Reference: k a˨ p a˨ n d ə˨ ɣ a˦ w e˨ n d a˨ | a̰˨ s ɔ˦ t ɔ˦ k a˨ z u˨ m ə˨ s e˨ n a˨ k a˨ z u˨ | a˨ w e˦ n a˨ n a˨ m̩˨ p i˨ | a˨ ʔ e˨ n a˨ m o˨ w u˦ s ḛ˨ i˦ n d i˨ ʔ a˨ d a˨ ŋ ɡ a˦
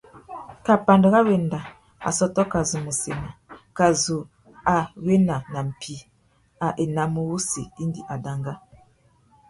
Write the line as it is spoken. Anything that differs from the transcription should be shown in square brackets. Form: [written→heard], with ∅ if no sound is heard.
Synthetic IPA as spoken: k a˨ p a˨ n d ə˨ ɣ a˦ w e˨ n d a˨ | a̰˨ s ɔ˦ t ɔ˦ k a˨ z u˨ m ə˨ s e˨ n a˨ k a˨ z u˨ | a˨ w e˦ n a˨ n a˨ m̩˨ p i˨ | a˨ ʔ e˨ n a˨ m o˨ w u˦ s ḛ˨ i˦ n d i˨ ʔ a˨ d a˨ ŋ ɡ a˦